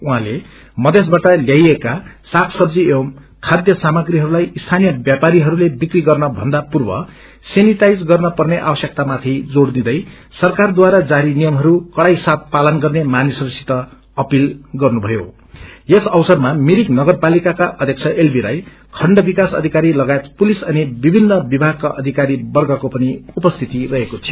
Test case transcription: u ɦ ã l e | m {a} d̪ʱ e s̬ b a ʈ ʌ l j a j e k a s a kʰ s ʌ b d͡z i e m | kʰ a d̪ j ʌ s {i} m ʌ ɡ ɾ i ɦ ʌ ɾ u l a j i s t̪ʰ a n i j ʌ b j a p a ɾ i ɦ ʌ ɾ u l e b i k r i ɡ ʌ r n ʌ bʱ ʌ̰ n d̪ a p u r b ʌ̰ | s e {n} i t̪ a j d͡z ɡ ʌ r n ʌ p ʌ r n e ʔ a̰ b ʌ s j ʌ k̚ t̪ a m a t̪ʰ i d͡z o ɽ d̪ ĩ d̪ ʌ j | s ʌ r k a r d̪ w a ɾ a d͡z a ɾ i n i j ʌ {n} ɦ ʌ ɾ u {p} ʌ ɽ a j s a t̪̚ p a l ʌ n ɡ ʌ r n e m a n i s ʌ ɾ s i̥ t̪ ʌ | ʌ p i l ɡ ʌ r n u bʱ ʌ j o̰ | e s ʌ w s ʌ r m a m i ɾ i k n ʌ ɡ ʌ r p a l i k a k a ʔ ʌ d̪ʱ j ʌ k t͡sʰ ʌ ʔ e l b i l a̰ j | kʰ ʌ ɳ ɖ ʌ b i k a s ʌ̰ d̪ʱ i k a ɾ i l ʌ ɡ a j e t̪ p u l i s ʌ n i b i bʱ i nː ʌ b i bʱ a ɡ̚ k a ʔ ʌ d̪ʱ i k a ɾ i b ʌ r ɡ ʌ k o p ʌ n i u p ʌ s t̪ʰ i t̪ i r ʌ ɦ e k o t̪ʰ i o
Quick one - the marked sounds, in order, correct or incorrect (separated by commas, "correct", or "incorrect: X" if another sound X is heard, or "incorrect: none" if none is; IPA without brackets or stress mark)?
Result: incorrect: ʌ, incorrect: a, correct, incorrect: m, incorrect: k